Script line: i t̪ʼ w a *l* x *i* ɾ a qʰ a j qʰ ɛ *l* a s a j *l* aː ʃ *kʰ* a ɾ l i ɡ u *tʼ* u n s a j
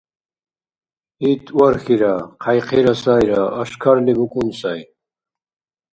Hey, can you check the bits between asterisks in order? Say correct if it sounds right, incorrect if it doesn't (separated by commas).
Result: incorrect, correct, incorrect, incorrect, correct, incorrect